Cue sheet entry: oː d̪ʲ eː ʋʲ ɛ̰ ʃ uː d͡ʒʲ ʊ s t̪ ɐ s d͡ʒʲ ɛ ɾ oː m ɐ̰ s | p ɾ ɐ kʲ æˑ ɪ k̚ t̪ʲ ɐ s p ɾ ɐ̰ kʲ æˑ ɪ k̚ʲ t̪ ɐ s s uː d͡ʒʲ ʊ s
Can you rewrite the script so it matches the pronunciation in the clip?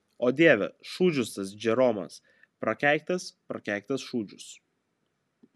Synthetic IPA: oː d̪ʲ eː ʋʲ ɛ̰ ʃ uː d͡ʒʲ ʊ s t̪ ɐ s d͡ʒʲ ɛ ɾ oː m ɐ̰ s | p ɾ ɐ kʲ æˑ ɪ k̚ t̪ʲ ɐ s p ɾ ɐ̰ kʲ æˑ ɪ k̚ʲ t̪ ɐ s ʃ uː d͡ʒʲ ʊ s